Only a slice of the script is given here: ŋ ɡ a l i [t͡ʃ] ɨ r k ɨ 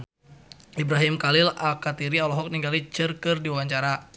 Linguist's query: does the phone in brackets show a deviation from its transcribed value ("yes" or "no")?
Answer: no